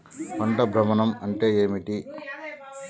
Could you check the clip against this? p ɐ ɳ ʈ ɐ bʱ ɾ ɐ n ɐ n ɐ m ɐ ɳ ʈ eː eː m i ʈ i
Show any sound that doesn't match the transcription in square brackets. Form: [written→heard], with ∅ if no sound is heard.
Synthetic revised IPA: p ɐ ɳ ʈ ɐ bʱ ɾ ɐ [n→m] ɐ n ɐ m ɐ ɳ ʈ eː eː m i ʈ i